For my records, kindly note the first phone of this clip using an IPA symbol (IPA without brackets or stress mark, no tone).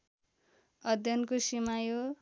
ʌ